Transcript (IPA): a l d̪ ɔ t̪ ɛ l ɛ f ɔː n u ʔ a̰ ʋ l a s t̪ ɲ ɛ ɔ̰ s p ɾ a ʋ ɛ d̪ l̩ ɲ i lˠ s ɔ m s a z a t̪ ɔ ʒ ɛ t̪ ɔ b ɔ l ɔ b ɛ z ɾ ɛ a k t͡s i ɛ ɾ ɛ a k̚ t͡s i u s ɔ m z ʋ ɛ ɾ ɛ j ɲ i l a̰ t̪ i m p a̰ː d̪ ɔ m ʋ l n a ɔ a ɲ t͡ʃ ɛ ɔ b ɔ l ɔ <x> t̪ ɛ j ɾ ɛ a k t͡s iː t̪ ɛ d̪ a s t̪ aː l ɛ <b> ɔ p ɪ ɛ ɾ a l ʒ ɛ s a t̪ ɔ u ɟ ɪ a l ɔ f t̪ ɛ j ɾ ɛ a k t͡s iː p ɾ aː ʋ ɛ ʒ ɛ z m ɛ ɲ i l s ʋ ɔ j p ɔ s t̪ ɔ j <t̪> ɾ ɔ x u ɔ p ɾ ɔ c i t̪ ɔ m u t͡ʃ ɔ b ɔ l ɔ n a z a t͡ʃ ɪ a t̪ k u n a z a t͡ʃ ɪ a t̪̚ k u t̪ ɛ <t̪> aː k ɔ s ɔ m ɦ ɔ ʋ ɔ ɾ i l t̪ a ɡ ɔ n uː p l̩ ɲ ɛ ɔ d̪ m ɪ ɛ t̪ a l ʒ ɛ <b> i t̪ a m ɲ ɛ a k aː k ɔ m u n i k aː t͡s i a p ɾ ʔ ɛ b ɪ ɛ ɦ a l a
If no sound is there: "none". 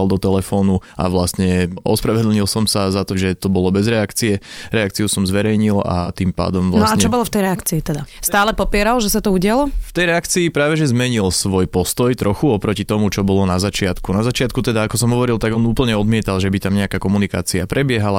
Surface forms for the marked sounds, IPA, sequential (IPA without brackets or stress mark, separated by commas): f, p, t̪, d̪, b